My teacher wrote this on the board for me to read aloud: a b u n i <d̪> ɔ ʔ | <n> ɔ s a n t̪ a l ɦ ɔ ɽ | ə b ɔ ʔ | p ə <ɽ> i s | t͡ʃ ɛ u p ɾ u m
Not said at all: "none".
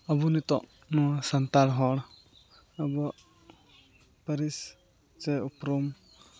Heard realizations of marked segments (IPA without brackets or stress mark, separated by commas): t̪, n, ɾ